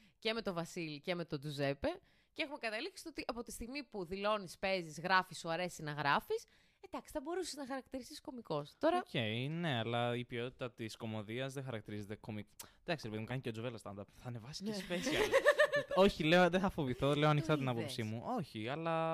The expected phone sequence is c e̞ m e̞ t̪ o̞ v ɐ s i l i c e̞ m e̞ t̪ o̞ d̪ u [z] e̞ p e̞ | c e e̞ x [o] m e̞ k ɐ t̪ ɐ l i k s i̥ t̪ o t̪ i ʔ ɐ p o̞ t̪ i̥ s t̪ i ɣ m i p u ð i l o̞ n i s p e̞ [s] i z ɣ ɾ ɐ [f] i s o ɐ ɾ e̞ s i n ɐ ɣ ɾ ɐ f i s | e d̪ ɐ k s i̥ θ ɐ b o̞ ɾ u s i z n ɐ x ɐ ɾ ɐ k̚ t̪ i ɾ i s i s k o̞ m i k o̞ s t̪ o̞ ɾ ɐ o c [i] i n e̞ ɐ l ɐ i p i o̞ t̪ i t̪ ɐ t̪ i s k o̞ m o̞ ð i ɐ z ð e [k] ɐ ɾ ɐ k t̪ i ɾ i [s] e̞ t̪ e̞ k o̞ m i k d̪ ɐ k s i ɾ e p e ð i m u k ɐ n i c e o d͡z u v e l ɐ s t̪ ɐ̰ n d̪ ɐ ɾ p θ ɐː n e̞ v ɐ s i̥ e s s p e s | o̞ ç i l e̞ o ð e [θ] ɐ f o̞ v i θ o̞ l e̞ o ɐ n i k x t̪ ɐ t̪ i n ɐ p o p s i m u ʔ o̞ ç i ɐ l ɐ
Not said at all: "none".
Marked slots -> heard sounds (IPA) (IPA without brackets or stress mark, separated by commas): z, u, z, f, e, x, z, θ